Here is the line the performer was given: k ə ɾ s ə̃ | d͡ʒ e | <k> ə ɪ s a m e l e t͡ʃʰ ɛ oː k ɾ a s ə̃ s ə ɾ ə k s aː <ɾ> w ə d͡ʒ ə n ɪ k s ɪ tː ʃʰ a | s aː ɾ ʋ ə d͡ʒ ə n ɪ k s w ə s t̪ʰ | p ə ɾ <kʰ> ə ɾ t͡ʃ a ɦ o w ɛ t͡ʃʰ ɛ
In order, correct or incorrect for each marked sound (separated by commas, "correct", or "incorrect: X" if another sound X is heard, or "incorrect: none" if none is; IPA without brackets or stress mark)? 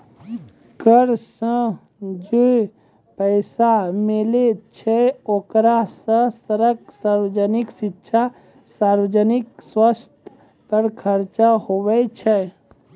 incorrect: p, correct, correct